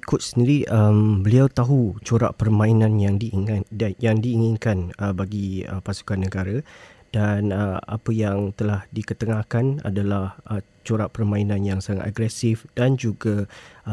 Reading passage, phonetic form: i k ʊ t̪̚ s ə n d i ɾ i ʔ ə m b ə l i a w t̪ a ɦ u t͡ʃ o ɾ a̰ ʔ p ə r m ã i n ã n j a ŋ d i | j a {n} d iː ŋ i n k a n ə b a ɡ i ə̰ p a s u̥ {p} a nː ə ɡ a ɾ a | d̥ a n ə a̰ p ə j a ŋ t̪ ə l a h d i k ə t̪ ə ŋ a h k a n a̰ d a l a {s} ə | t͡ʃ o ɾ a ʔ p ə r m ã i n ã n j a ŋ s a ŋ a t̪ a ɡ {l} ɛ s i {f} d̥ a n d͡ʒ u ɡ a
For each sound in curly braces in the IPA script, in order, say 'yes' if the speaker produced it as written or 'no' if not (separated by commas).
no, no, no, no, yes